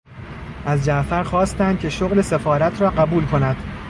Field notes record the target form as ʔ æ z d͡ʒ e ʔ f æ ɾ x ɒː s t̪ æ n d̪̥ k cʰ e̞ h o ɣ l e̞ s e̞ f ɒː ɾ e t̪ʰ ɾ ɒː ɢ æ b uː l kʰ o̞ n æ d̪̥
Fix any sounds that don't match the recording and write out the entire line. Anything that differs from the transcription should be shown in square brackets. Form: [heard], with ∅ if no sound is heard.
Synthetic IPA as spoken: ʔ æ z d͡ʒ [æ] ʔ f æ ɾ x ɒː s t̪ æ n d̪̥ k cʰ e̞ [ʃ] o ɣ l e̞ s e̞ f ɒː ɾ [æ] t̪ʰ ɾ ɒː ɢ æ b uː l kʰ o̞ n æ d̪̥

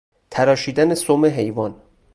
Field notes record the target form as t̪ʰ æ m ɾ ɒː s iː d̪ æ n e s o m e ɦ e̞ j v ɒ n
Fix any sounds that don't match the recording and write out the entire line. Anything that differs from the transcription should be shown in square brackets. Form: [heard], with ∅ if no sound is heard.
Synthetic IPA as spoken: t̪ʰ æ [∅] ɾ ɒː [ʃ] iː d̪ æ n e s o m e ɦ e̞ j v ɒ n

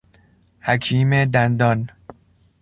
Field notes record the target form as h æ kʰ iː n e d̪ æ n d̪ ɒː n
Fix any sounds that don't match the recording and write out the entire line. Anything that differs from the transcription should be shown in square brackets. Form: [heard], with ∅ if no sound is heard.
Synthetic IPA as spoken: h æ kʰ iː [m] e d̪ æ n d̪ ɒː n

